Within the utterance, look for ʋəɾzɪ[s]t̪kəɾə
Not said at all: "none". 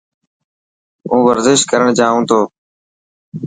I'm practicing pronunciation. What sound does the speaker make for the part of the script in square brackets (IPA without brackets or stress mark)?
ʃ